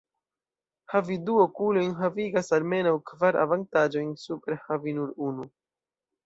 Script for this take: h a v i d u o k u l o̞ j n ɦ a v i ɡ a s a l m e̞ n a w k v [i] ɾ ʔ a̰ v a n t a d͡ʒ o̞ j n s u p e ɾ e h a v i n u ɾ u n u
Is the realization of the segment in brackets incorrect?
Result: yes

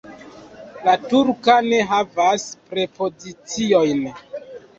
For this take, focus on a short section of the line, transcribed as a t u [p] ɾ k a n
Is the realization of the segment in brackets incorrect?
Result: yes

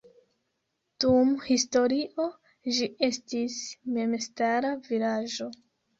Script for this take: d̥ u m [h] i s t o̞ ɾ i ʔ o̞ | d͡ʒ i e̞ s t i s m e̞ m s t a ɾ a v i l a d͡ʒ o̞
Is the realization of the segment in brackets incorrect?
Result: no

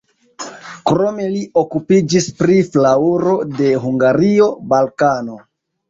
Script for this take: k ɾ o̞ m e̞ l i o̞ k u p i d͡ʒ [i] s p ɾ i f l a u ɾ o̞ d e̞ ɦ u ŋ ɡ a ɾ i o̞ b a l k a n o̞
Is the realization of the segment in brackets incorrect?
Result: no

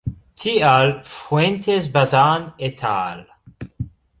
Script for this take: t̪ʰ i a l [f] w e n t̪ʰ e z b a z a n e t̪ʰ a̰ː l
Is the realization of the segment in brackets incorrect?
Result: no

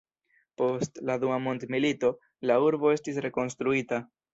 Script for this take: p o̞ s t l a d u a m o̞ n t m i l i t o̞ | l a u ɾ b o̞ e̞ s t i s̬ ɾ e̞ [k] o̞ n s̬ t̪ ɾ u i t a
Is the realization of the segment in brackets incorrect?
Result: no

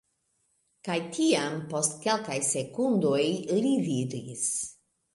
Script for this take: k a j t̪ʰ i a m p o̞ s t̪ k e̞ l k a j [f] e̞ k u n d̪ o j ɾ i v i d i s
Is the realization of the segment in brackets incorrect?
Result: yes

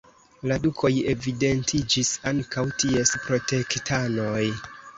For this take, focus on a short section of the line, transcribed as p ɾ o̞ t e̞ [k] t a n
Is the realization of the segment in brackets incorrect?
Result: no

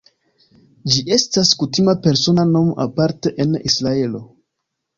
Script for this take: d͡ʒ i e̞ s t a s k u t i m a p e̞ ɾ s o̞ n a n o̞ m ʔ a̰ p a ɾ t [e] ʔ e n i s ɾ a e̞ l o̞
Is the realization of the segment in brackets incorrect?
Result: no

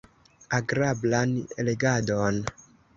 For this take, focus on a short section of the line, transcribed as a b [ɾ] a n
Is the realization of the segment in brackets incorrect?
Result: yes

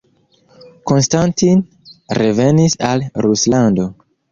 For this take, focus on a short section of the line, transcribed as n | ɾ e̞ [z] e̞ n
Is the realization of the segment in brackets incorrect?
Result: yes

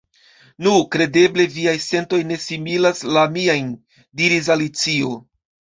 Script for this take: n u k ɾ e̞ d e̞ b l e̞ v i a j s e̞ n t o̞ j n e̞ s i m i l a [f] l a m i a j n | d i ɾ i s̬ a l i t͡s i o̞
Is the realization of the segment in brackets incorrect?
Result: yes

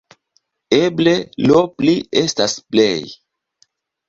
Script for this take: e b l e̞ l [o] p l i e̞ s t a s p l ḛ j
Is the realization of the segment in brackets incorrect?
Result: no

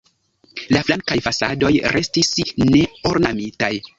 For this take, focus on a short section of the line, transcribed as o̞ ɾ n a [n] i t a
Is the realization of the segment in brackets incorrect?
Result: yes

